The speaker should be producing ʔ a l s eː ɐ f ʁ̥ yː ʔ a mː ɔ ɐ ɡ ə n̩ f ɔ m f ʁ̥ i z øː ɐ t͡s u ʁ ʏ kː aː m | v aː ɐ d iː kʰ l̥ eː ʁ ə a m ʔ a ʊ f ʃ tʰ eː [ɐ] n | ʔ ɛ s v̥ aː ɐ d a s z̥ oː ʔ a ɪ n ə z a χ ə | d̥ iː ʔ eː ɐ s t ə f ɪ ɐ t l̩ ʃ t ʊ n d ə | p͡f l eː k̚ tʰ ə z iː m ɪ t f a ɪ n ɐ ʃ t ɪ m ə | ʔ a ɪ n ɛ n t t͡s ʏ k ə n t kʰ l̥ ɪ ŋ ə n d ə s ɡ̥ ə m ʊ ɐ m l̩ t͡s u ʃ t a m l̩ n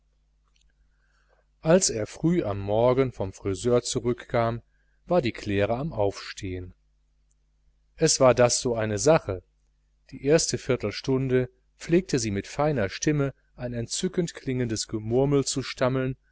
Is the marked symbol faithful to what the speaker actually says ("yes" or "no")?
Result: no